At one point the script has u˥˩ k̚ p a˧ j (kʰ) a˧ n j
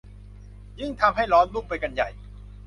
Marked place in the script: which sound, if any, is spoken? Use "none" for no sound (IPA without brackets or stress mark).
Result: k